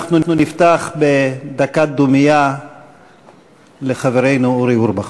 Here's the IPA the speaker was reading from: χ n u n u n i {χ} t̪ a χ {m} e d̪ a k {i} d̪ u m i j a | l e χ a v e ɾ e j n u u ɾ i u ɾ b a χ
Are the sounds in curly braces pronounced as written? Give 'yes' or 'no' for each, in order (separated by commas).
no, no, no